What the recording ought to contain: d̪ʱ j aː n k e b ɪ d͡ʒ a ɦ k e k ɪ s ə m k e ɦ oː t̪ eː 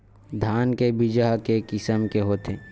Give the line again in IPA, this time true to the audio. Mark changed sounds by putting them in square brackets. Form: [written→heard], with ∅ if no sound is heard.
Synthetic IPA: d̪ʱ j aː n k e b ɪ d͡ʒ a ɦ k e k ɪ s ə m k e ɦ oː t̪ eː